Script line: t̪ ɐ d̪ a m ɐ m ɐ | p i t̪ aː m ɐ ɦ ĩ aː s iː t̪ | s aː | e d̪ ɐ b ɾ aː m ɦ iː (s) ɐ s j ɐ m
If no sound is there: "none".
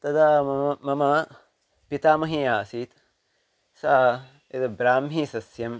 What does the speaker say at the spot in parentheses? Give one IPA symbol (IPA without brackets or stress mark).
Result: s